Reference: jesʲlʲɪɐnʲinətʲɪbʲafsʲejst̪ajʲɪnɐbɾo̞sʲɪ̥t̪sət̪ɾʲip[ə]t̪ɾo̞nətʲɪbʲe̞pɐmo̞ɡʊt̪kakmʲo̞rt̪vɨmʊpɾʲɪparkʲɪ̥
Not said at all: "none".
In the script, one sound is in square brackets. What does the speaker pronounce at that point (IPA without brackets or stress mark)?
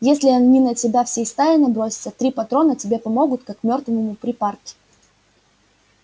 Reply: ɐ